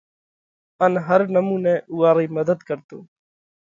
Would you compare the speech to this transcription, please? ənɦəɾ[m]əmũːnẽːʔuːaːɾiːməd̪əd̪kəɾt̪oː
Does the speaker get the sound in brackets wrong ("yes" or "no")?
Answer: yes